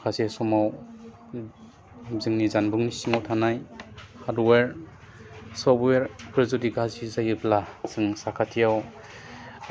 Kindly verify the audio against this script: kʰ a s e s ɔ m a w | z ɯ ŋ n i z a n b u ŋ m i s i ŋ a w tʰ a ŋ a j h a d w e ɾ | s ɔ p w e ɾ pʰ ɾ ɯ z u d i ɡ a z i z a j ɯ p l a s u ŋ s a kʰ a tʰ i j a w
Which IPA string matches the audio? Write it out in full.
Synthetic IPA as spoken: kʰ a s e s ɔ m a w | z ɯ ŋ n i z a n b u ŋ n i s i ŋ a w tʰ a n a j h a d w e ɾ | s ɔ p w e ɾ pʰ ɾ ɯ z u d i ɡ a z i z a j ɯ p l a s ɯ ŋ s a kʰ a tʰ i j a w